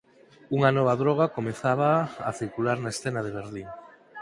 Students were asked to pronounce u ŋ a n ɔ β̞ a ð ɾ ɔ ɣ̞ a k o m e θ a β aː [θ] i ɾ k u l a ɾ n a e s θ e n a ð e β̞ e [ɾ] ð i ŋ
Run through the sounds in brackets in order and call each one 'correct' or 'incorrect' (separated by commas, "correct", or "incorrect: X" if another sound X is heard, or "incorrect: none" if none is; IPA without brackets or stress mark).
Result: correct, correct